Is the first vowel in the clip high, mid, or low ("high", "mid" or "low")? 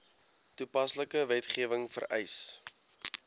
high